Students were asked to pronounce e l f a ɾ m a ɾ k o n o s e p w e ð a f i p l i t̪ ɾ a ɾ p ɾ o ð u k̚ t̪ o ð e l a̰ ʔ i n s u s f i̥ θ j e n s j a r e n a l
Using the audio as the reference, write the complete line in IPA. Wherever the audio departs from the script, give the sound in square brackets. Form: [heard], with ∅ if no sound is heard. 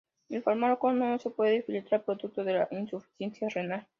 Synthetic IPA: e l f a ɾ m a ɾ k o n o s e p w e ð [e] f i [∅] l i t̪ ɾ a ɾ p ɾ o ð u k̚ t̪ o ð e l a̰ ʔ i n s u [∅] f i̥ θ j e n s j a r e n a l